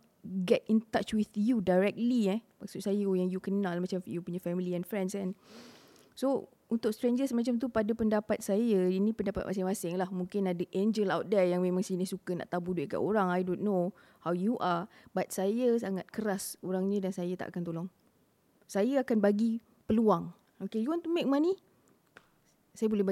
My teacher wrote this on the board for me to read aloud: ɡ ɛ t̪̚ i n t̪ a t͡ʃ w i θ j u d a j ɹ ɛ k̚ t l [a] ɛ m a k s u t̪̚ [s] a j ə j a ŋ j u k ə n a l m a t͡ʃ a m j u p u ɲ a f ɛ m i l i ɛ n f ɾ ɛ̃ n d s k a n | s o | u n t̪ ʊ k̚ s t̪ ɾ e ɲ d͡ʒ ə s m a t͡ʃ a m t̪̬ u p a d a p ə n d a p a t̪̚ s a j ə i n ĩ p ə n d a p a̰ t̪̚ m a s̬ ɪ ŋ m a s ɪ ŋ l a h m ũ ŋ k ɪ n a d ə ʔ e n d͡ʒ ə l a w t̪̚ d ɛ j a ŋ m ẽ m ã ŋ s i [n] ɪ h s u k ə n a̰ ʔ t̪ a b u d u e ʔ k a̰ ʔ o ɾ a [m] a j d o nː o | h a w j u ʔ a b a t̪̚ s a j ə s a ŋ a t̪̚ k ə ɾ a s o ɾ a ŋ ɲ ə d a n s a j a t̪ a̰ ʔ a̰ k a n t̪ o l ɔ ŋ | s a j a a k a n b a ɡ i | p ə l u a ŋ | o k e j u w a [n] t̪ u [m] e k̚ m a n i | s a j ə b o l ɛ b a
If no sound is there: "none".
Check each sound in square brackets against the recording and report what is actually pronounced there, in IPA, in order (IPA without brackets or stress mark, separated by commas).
i, s, n, ŋ, n, m